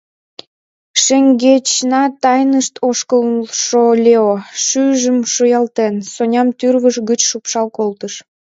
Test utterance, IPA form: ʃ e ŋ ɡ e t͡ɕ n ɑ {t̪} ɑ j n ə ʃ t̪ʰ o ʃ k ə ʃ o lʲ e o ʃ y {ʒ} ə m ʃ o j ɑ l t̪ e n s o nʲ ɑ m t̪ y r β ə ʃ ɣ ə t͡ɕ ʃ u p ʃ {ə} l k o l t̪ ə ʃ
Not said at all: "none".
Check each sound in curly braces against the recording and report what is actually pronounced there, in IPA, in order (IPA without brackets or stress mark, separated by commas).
t̪, ʒ, ɑ